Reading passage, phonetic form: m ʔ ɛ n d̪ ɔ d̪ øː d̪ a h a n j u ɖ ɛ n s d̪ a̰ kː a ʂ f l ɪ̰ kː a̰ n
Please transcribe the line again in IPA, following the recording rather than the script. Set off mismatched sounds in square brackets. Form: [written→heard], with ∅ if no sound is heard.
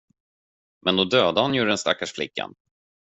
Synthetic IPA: m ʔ ɛ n d̪ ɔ d̪ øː d̪ a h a n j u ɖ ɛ n s [d̪→t̪] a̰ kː a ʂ f l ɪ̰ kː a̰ n